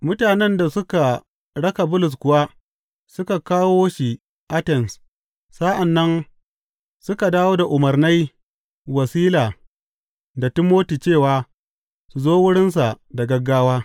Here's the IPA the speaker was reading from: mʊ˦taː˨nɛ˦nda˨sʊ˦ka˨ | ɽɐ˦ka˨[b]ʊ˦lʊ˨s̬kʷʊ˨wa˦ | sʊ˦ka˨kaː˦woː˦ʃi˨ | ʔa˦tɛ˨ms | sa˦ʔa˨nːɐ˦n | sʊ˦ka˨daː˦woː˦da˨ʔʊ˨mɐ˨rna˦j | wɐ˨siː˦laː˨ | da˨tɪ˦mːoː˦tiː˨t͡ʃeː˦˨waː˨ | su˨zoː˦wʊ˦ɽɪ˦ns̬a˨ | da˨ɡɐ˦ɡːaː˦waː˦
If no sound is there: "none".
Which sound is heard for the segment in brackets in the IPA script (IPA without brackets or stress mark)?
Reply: b